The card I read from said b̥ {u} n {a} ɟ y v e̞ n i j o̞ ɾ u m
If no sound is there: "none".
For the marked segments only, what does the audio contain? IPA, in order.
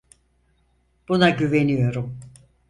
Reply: u, a

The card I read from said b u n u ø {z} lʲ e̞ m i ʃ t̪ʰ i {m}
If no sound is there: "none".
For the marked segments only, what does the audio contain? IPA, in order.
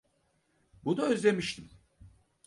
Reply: z, m

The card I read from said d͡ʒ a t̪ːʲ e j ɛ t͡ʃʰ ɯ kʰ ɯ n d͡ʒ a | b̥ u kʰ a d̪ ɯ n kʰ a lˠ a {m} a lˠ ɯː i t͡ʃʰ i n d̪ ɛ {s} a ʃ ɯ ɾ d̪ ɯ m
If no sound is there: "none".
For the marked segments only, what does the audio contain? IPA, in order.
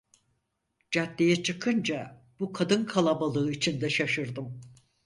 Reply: b, ʃ

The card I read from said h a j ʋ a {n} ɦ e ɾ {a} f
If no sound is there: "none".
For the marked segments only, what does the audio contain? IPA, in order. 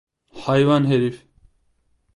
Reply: n, i

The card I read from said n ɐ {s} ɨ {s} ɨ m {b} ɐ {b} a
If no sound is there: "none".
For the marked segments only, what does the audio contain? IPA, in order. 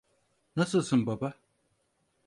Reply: s, s, b, b

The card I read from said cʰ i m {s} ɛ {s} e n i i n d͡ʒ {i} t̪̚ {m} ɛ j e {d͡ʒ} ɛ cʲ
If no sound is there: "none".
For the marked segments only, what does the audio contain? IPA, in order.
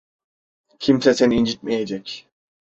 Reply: s, s, i, m, d͡ʒ

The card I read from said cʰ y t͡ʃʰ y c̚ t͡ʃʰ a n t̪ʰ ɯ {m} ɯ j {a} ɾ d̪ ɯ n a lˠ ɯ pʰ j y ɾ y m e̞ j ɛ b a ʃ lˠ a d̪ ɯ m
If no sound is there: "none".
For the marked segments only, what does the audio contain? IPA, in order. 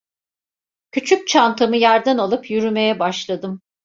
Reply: m, a

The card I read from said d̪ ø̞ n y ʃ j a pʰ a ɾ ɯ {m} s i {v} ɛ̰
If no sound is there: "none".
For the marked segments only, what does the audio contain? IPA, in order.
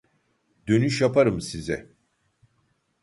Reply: m, z

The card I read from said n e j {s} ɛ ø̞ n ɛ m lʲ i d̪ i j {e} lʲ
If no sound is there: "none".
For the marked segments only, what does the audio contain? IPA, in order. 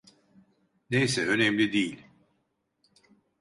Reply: s, i

